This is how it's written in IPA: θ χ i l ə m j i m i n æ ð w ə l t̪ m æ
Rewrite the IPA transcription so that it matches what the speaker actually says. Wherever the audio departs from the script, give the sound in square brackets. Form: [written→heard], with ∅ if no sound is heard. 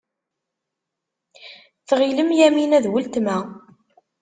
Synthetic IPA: θ [χ→ʁ] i l ə m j [i→æ] m i n æ ð w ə l t̪ m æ